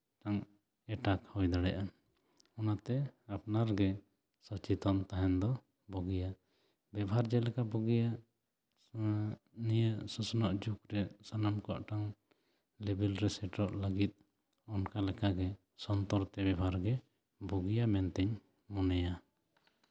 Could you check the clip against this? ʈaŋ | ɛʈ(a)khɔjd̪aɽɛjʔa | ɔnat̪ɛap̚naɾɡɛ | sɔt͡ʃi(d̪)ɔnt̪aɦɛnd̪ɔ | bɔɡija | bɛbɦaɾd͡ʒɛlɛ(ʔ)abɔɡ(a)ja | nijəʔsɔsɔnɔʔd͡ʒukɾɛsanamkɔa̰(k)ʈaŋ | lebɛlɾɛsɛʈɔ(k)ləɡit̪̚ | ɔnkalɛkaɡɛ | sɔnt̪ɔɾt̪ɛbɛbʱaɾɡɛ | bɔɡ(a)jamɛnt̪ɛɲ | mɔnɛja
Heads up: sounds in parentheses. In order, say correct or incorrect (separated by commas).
correct, incorrect, incorrect, incorrect, incorrect, incorrect, incorrect